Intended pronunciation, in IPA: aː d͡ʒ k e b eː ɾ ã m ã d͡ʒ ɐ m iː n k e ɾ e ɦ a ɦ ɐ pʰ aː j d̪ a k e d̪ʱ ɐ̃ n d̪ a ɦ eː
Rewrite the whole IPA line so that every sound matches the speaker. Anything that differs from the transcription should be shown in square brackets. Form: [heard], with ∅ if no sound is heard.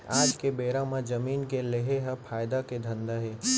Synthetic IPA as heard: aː d͡ʒ k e b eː ɾ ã m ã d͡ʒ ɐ m iː n k e [l] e ɦ [e] ɦ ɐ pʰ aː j d̪ a k e d̪ʱ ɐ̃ n d̪ a ɦ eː